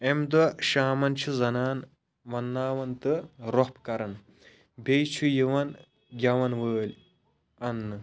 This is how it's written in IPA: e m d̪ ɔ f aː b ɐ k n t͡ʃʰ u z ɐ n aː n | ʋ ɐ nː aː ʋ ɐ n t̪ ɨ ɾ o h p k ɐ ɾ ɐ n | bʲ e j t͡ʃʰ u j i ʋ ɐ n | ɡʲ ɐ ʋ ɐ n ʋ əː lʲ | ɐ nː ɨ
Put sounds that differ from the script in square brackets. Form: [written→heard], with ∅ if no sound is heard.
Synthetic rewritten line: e m d̪ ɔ [f→ʃ] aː [b→m] ɐ [k→∅] n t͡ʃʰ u z ɐ n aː n | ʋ ɐ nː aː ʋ ɐ n t̪ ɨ ɾ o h p k ɐ ɾ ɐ n | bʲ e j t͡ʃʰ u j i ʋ ɐ n | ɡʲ ɐ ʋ ɐ n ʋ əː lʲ | ɐ nː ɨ